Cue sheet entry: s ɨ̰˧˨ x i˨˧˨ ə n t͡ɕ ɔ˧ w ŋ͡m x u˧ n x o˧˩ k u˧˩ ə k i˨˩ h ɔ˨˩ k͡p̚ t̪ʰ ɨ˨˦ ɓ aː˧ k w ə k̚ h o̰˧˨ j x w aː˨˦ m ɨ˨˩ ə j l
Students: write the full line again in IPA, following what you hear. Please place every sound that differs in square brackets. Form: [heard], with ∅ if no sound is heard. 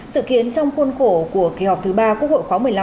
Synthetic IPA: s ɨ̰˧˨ [k] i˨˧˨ ə n t͡ɕ ɔ˧ w ŋ͡m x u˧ n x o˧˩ k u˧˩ ə k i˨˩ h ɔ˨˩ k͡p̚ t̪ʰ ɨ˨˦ ɓ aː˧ k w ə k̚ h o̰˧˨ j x w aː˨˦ m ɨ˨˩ ə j l

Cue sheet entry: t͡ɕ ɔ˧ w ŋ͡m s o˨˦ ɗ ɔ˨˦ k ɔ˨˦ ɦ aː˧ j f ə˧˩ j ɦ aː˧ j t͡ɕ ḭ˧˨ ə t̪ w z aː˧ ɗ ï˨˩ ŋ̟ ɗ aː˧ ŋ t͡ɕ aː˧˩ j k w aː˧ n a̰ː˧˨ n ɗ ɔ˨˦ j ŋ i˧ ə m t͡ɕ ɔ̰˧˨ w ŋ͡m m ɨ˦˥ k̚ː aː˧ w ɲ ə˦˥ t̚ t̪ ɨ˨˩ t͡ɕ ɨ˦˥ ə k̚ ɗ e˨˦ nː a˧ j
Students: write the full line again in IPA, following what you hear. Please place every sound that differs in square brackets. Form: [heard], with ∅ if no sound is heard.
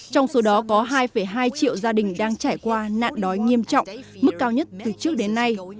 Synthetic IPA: t͡ɕ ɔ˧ w ŋ͡m s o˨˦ ɗ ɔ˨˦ k ɔ˨˦ ɦ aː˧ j f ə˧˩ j ɦ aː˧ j t͡ɕ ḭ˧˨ ə [∅] w z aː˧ ɗ ï˨˩ ŋ̟ ɗ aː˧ ŋ t͡ɕ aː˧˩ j k w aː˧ n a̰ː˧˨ n ɗ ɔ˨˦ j ŋ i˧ ə m t͡ɕ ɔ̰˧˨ w ŋ͡m m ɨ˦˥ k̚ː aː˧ w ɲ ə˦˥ t̚ t̪ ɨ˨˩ t͡ɕ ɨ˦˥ ə k̚ ɗ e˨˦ nː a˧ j

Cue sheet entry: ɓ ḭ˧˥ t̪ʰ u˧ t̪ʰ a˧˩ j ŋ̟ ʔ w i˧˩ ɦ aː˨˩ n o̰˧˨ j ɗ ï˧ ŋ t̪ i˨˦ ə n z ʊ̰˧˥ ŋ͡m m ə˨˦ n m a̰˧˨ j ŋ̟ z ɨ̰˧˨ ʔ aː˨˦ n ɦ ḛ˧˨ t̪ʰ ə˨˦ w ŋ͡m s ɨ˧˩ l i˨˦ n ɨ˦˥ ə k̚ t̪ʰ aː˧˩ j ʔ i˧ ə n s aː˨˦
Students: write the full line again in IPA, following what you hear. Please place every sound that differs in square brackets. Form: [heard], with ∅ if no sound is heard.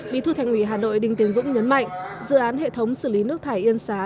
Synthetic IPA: ɓ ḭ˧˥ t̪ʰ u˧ t̪ʰ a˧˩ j ŋ̟ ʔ w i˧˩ ɦ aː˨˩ n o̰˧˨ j ɗ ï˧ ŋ t̪ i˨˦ ə n z ʊ̰˧˥ ŋ͡m [ɲ] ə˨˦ n m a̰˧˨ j ŋ̟ z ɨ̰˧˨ ʔ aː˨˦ n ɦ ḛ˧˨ t̪ʰ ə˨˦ w ŋ͡m s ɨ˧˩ l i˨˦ n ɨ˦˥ ə k̚ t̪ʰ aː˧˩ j ʔ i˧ ə n s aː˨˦

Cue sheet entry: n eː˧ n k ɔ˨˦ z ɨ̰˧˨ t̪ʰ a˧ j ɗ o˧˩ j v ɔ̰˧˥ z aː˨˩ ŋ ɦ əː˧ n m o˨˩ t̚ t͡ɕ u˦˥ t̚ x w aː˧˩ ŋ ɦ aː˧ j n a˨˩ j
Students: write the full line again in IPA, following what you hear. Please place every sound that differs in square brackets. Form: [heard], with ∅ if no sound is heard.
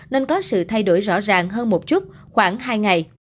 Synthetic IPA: n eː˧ n k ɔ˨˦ [s] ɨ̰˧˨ t̪ʰ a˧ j ɗ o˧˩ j [z] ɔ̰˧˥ z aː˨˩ ŋ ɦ əː˧ n m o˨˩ t̚ t͡ɕ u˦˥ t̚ x w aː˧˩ ŋ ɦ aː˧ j [ŋ] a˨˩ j

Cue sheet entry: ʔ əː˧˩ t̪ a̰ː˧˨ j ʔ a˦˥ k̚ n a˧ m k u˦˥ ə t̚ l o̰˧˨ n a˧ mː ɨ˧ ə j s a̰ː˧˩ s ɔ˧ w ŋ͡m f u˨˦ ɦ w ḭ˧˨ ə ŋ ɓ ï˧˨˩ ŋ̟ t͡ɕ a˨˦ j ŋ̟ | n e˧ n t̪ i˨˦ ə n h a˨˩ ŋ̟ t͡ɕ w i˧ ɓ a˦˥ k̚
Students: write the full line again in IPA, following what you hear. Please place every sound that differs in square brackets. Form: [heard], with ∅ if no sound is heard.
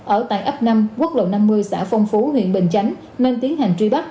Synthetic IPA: ʔ əː˧˩ t̪ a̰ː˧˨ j ʔ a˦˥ [p̚] n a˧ m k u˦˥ ə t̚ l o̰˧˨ n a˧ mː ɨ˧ ə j s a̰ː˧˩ [f] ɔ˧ w ŋ͡m f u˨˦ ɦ w ḭ˧˨ ə [n] ɓ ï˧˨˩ ŋ̟ t͡ɕ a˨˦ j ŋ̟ | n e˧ n t̪ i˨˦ ə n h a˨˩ ŋ̟ t͡ɕ w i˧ ɓ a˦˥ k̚

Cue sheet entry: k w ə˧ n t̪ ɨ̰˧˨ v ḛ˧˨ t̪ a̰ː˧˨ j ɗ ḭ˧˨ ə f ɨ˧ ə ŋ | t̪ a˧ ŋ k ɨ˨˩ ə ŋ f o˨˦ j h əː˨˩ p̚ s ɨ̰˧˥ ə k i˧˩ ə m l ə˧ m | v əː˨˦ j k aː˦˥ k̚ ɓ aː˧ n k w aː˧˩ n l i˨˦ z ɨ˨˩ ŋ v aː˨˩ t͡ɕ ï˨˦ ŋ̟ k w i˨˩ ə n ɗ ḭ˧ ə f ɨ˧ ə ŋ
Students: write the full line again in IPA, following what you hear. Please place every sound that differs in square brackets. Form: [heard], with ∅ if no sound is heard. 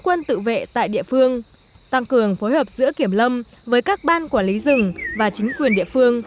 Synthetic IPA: k w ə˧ n t̪ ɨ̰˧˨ v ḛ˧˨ t̪ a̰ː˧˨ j ɗ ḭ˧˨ ə f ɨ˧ ə ŋ | t̪ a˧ ŋ k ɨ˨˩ ə ŋ f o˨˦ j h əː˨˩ p̚ [z] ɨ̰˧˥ ə k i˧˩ ə m l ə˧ m | v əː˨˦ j k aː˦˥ k̚ ɓ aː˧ n k w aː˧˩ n l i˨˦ z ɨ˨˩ ŋ v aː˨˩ t͡ɕ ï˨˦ ŋ̟ k w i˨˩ ə n ɗ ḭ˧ ə f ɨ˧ ə ŋ

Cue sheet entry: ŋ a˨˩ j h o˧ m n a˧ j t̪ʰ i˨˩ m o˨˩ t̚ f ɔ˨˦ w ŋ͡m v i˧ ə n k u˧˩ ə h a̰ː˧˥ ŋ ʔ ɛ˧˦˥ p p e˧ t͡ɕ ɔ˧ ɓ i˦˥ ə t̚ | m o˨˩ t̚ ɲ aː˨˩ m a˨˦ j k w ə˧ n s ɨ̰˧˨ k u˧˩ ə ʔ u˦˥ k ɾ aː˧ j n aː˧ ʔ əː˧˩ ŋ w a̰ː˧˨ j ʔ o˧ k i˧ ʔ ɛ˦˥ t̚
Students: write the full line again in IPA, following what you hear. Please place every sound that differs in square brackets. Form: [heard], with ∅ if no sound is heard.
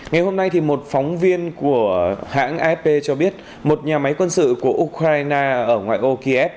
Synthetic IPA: ŋ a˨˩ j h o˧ m n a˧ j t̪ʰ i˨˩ m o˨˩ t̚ f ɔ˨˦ w ŋ͡m v i˧ ə n k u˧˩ ə h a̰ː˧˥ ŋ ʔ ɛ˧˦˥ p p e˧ t͡ɕ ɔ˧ ɓ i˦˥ ə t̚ | m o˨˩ t̚ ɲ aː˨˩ m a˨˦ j k w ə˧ n s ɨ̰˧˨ k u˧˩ ə ʔ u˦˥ k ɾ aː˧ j n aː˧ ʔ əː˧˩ ŋ w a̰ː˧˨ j ʔ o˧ k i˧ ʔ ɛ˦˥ [p̚]

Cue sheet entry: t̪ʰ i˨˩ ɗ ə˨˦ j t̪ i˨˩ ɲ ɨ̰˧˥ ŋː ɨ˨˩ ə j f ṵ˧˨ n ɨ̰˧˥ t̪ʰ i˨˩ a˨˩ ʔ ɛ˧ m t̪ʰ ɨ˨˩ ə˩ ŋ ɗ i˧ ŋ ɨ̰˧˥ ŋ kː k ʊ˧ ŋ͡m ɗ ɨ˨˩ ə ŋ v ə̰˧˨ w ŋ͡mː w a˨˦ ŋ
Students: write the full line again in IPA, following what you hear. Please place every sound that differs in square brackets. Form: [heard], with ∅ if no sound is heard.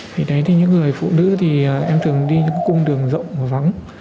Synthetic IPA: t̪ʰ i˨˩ ɗ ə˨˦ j t̪ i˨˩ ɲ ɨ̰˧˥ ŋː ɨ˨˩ ə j f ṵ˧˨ n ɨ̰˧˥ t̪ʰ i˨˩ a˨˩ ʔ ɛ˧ m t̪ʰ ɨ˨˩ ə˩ ŋ ɗ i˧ [ɲ] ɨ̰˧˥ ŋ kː k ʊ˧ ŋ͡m ɗ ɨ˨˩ ə ŋ [z] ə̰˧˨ w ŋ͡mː [v] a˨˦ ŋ

